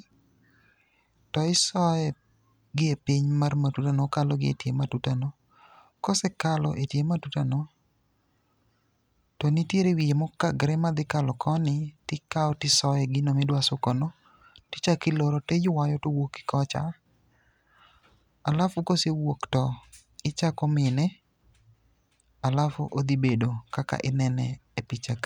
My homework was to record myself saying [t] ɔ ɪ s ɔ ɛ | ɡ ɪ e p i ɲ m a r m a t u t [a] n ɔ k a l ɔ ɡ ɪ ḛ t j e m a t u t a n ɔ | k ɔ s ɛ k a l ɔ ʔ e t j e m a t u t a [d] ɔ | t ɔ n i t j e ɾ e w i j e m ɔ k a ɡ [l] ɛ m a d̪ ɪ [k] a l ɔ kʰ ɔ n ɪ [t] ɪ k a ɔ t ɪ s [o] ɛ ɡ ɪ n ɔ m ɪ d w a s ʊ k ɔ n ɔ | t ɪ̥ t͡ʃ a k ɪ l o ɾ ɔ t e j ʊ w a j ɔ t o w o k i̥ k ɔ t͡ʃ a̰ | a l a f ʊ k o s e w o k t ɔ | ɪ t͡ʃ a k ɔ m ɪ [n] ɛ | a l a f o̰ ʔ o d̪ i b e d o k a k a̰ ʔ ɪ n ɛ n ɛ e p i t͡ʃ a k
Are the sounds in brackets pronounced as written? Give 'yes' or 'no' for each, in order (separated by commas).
yes, yes, no, no, yes, yes, no, yes